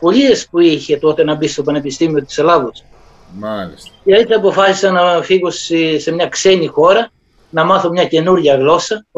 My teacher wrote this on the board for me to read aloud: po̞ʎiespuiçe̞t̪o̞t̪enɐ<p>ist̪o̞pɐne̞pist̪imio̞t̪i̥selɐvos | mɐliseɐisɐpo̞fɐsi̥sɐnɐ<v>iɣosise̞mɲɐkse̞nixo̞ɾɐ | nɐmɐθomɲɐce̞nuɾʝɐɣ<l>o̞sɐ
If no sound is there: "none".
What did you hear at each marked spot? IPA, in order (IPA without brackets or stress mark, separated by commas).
b, f, l